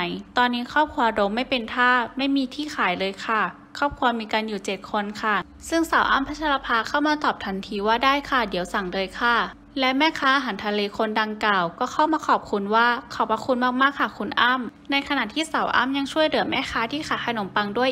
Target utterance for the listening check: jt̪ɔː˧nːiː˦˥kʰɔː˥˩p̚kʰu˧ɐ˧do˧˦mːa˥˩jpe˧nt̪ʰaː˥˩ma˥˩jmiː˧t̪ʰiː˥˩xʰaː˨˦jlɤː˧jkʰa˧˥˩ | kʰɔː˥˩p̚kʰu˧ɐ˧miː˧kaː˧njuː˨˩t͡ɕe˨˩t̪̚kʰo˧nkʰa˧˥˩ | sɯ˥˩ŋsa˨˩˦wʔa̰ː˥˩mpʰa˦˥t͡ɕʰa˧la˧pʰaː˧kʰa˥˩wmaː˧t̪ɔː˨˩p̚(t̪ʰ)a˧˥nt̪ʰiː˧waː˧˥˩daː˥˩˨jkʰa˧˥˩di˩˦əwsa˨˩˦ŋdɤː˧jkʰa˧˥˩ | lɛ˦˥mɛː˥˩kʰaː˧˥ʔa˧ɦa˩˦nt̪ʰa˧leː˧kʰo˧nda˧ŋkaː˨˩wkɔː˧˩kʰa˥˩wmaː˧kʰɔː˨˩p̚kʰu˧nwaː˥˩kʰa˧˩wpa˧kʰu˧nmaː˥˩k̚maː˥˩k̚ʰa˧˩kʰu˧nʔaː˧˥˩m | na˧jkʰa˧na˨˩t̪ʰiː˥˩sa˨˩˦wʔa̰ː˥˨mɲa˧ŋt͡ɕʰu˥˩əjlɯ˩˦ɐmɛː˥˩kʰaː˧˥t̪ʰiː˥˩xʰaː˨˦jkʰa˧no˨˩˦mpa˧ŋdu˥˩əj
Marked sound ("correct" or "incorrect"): correct